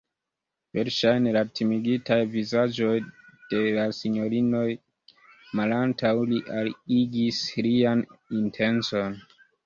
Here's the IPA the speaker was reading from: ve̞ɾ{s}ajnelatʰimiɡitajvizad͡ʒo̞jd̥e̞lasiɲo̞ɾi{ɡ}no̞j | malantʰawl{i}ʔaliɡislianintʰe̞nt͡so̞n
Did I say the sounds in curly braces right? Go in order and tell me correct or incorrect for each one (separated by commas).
incorrect, incorrect, correct